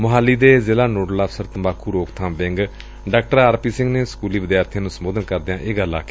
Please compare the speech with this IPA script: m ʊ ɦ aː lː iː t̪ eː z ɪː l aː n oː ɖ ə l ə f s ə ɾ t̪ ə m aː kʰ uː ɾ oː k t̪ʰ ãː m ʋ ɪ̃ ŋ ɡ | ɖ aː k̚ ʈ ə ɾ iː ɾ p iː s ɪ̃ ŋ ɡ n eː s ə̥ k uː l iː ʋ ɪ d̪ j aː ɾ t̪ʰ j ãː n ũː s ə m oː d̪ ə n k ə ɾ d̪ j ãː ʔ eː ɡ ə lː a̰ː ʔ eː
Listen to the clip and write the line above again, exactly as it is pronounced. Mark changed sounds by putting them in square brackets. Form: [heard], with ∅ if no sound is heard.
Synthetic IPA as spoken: m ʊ ɦ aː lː iː [d̪] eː z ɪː l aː n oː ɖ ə l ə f s ə ɾ t̪ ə m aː kʰ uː ɾ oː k t̪ʰ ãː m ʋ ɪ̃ ŋ ɡ | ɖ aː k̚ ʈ ə ɾ [aː] ɾ p iː s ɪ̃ ŋ ɡ n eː s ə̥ k uː l iː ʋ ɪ d̪ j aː ɾ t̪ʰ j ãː n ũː s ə m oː d̪ ə n k ə ɾ d̪ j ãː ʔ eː ɡ ə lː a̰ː [k] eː

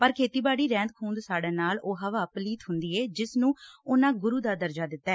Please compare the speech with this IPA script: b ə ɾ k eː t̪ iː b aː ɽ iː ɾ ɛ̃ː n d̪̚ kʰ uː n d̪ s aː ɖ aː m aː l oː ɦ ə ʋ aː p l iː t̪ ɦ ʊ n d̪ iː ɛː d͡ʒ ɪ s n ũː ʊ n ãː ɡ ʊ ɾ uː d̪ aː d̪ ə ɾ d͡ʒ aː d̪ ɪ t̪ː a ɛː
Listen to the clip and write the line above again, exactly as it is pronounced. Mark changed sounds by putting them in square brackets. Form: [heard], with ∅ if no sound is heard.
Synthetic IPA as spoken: [p] ə ɾ [kʰ] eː t̪ iː b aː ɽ iː ɾ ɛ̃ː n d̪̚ kʰ uː n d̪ s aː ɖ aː [n] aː l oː ɦ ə ʋ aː p l iː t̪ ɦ ʊ n d̪ iː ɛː d͡ʒ ɪ s n ũː ʊ n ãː ɡ ʊ ɾ uː d̪ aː d̪ ə ɾ d͡ʒ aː d̪ ɪ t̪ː a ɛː

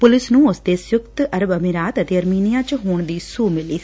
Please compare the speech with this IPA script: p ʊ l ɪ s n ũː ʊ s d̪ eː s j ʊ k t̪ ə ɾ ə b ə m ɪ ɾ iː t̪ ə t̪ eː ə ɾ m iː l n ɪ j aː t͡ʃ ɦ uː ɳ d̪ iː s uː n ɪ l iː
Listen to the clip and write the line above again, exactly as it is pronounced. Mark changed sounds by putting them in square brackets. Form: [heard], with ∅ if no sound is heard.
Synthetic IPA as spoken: p ʊ l ɪ s n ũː ʊ s d̪ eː s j ʊ k t̪ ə ɾ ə b ə m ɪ ɾ [aː] t̪ ə t̪ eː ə ɾ m iː [∅] n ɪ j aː t͡ʃ ɦ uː ɳ d̪ iː s uː [m] ɪ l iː

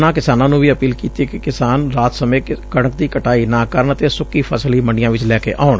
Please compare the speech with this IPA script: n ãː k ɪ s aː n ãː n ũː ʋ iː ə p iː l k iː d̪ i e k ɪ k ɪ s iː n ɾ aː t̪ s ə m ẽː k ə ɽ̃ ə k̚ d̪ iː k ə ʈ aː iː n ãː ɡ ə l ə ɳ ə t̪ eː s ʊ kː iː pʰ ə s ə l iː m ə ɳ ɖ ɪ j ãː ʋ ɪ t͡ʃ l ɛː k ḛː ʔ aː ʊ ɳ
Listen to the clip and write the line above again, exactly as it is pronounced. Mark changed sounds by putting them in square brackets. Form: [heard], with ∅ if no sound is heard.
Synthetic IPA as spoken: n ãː k ɪ s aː n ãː n ũː ʋ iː ə p iː l k iː [t̪] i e k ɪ k ɪ s [aː] n ɾ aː t̪ s ə m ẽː k ə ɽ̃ ə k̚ d̪ iː k ə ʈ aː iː n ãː [k] ə [ɾ] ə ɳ ə t̪ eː s ʊ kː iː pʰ ə s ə l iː m ə ɳ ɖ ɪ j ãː ʋ ɪ t͡ʃ l ɛː k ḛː ʔ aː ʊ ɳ

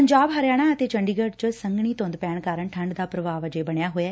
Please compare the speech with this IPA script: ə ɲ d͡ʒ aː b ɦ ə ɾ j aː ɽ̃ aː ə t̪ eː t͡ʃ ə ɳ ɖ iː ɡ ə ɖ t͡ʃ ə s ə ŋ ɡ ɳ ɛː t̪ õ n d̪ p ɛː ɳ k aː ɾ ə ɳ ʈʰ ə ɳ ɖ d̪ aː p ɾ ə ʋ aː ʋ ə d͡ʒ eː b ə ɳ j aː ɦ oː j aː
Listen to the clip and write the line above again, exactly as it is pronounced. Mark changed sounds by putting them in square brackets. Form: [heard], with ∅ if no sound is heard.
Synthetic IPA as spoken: ə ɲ d͡ʒ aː b ɦ ə ɾ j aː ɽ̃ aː ə t̪ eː t͡ʃ ə ɳ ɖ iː ɡ ə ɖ t͡ʃ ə s ə ŋ ɡ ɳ [iː] t̪ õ n d̪ p ɛː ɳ k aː ɾ ə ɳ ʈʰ ə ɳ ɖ d̪ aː p ɾ ə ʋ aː ʋ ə d͡ʒ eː b ə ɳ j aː ɦ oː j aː

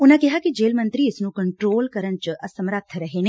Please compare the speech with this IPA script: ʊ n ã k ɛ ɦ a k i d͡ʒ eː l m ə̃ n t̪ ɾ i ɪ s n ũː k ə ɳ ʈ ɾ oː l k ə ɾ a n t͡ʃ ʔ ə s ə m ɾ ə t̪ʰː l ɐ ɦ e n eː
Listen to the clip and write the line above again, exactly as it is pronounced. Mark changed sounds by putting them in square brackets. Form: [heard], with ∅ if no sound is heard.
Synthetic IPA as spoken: ʊ n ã k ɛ ɦ a k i d͡ʒ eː l m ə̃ n t̪ ɾ i ɪ s n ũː k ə ɳ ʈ ɾ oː l k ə ɾ [ə] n t͡ʃ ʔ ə s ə m ɾ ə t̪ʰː [ɾ] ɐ ɦ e n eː

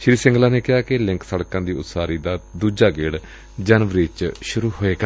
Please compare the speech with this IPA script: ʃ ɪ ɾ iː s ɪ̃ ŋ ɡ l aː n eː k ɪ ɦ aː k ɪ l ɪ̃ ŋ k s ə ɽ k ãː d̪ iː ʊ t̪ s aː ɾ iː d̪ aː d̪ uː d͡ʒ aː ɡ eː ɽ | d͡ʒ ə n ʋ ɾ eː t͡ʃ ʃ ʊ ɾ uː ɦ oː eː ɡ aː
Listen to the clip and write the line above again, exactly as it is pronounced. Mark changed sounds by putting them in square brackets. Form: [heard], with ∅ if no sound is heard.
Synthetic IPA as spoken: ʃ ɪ ɾ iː s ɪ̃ ŋ ɡ l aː n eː k ɪ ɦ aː k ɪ l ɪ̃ ŋ k s ə ɽ k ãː d̪ iː ʊ t̪ s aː ɾ iː d̪ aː d̪ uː d͡ʒ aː ɡ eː ɽ | d͡ʒ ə n ʋ ɾ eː t͡ʃ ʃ ʊ ɾ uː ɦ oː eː ɡ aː

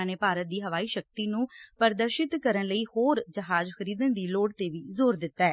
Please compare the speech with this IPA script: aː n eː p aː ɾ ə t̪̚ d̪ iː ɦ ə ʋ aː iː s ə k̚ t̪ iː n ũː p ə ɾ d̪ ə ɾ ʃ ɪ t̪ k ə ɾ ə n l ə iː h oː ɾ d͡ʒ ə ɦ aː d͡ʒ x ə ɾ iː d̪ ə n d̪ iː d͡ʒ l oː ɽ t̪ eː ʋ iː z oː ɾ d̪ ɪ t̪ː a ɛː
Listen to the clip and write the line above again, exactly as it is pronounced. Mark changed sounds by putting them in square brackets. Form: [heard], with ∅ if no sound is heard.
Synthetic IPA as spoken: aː n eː p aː ɾ ə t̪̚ d̪ iː ɦ ə ʋ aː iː [ʃ] ə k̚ t̪ iː n ũː p ə ɾ d̪ ə ɾ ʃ ɪ t̪ k ə ɾ ə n l ə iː h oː ɾ d͡ʒ ə ɦ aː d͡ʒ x ə ɾ iː d̪ ə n d̪ iː [∅] l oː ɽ t̪ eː ʋ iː z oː ɾ d̪ ɪ t̪ː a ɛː

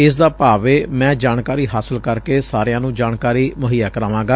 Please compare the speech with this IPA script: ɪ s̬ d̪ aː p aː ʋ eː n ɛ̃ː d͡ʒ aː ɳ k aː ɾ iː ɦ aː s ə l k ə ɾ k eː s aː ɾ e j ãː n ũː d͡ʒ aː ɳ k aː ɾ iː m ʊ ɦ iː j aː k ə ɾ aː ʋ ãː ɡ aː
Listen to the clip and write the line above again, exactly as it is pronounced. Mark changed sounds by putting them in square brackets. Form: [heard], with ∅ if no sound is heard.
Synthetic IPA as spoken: ɪ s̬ d̪ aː p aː ʋ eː [m] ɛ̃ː d͡ʒ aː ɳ k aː ɾ iː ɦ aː s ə l k ə ɾ k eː s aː ɾ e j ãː n ũː d͡ʒ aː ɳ k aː ɾ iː m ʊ ɦ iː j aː k ə ɾ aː ʋ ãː ɡ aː

